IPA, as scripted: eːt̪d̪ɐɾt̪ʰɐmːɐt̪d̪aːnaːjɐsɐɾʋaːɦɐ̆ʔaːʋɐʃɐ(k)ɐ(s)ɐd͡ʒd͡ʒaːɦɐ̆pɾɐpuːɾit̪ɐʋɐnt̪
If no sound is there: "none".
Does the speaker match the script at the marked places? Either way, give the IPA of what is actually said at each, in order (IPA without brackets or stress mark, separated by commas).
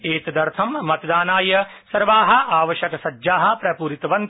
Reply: k, s